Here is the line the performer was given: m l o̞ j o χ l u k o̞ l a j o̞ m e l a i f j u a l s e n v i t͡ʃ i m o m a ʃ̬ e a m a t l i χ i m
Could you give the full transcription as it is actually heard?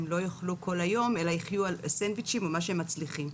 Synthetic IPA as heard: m l o̞ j o χ l u k o̞ l a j o̞ m e l a i χ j u a l s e n v i t͡ʃ i m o m a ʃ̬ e e m a t͡s l i χ i m